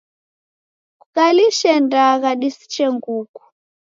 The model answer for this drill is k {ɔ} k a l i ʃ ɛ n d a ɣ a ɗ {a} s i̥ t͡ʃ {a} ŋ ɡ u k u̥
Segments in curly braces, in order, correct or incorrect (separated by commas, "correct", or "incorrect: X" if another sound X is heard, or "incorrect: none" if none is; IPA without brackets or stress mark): incorrect: u, incorrect: i, incorrect: ɛ